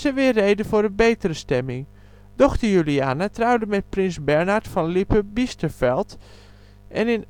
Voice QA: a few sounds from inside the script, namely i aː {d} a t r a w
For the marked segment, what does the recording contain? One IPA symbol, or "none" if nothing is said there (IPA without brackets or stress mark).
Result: n